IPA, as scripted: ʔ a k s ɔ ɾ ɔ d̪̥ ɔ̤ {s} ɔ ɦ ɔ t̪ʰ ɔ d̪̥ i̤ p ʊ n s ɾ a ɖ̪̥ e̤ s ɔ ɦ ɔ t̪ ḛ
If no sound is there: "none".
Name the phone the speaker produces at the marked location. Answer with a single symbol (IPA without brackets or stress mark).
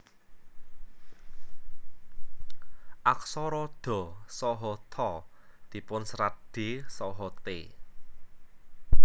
s